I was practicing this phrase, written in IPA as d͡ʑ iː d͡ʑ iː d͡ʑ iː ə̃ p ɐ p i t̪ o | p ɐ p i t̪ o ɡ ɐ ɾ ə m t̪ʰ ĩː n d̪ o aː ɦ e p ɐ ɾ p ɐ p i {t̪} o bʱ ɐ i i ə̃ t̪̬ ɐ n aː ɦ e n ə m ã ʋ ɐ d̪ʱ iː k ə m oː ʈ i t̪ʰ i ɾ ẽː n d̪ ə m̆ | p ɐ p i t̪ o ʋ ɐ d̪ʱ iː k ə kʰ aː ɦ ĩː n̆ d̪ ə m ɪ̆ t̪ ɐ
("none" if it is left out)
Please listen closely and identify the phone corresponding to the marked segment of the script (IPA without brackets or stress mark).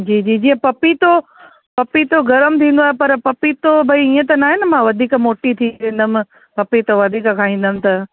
t̪